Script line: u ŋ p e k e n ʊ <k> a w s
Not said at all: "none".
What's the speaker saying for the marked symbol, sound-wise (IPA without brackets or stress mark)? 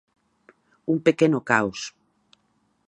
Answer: k